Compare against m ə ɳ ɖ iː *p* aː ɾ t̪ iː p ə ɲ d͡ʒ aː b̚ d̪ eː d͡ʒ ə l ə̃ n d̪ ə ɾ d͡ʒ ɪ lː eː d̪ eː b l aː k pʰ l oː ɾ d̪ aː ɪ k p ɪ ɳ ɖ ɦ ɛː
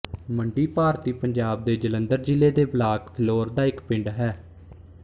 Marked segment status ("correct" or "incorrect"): correct